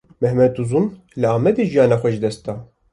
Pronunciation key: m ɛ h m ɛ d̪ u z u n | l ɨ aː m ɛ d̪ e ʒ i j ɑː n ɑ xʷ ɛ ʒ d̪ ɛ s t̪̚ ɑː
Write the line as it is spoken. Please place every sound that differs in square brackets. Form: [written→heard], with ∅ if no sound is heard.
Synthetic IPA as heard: m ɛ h m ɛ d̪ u z u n | l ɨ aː m ɛ d̪ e ʒ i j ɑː n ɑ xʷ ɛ ʒ d̪ ɛ s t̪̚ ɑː